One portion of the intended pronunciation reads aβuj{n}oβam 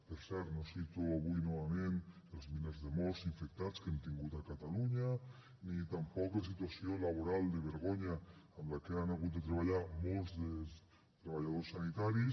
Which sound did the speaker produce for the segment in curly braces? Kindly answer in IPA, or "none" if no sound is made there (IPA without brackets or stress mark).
n